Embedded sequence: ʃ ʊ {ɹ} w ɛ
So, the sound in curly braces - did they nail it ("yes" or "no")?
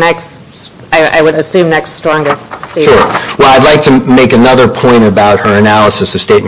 yes